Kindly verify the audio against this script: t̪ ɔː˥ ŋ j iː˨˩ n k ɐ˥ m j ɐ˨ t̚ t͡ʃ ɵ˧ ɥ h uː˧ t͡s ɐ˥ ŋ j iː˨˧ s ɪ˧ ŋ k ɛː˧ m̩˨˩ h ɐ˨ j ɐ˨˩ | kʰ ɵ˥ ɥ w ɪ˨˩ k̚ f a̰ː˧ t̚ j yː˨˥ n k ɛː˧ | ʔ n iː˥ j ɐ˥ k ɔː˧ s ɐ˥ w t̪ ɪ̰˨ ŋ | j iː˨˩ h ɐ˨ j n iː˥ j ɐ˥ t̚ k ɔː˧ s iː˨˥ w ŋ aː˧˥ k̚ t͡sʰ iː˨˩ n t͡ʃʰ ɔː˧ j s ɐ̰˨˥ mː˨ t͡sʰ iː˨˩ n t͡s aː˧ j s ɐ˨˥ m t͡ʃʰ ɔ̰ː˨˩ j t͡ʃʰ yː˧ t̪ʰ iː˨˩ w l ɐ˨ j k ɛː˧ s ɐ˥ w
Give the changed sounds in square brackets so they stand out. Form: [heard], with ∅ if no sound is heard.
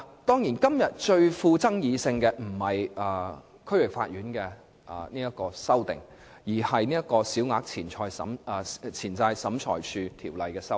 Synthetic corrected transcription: t̪ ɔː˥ ŋ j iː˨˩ n k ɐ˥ m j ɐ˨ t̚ t͡ʃ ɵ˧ ɥ [f] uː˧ t͡s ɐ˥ ŋ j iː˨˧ s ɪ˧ ŋ k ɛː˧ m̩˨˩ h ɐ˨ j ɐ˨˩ | kʰ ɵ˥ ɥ w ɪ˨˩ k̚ f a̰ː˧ t̚ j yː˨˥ n k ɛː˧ | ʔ n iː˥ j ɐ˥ k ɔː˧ s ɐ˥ w t̪ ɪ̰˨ ŋ | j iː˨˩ h ɐ˨ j n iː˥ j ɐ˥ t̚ k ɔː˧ s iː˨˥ w ŋ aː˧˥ k̚ t͡sʰ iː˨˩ n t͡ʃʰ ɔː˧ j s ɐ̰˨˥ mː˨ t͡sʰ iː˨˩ n t͡s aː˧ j s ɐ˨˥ m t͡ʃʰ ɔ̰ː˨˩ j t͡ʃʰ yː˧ t̪ʰ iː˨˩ w l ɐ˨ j k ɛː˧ s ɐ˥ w